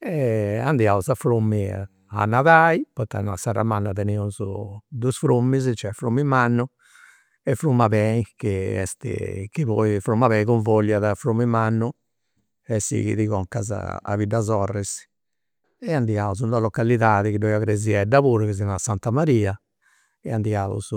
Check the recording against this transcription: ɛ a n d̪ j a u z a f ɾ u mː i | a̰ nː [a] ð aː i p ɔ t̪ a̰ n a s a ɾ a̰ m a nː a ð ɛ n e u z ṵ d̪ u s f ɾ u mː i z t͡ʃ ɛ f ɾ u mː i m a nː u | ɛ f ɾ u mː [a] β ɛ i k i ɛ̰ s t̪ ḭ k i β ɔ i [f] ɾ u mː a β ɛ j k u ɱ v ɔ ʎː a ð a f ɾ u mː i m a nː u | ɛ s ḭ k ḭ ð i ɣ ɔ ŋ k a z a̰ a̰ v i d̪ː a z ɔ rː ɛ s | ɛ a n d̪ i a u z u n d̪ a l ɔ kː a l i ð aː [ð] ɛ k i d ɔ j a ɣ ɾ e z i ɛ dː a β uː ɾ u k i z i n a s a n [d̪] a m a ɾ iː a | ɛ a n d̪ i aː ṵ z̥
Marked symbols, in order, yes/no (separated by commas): yes, yes, yes, yes, no